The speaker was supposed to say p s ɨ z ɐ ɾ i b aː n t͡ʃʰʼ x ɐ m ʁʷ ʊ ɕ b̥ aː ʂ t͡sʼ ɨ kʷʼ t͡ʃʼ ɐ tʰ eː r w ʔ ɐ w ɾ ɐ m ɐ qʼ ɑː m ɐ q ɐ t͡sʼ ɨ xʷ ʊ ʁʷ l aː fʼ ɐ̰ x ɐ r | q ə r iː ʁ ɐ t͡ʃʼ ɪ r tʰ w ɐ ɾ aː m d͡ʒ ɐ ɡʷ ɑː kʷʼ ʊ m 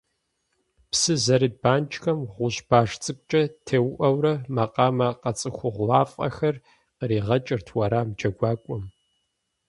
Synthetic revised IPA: p s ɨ z ɐ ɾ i b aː n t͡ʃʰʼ x ɐ m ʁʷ ʊ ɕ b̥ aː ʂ t͡sʼ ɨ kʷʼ t͡ʃʼ ɐ tʰ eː w ʔ ɐ w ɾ ɐ m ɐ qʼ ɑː m ɐ q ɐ t͡sʼ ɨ xʷ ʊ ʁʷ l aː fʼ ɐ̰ x ɐ r | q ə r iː ʁ ɐ t͡ʃʼ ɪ r tʰ w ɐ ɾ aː m d͡ʒ ɐ ɡʷ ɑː kʷʼ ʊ m